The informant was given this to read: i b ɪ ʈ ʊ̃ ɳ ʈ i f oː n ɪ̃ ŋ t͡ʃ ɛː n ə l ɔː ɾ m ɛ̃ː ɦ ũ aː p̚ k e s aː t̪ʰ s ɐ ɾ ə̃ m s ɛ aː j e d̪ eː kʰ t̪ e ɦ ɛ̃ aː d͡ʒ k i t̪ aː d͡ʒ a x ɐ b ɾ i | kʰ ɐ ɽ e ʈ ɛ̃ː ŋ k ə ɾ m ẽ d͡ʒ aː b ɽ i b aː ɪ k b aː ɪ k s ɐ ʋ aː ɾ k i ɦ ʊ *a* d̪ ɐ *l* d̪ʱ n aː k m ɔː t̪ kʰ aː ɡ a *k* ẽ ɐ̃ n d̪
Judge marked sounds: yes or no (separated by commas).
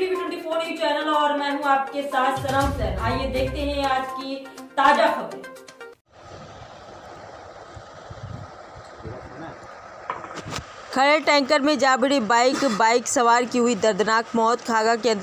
no, no, yes